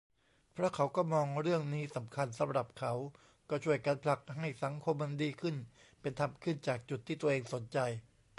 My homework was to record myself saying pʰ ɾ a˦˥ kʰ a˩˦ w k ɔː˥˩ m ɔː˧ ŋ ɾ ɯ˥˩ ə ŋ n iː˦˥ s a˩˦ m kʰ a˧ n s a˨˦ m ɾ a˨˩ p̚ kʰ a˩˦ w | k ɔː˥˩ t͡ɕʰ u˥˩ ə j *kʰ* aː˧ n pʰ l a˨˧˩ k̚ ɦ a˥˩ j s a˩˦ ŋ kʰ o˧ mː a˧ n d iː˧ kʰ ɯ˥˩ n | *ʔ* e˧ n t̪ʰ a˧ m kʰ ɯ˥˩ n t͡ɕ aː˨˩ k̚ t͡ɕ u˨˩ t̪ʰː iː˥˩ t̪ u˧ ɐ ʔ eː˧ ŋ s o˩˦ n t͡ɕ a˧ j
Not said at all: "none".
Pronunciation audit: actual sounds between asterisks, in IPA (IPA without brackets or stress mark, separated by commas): k, p